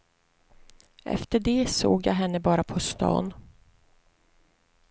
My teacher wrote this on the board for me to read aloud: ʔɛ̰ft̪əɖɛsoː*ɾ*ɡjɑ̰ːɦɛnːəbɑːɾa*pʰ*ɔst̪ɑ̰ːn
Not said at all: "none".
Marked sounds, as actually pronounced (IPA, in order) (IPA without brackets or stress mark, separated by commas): none, pʰ